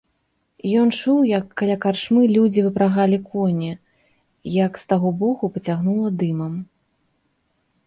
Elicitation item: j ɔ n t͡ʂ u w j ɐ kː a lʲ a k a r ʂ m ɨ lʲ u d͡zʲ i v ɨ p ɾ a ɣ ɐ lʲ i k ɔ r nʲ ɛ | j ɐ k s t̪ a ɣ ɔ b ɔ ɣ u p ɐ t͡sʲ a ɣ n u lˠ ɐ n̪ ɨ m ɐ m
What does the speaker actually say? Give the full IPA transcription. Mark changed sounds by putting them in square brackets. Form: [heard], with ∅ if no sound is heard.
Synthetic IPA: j ɔ n t͡ʂ u w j ɐ kː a lʲ a k a r ʂ m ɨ lʲ u d͡zʲ i v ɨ p ɾ a ɣ [a] lʲ i k ɔ [∅] nʲ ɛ | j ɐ k s t̪ a ɣ ɔ b ɔ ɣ u p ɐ t͡sʲ a ɣ n u lˠ ɐ [d̪] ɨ m ɐ m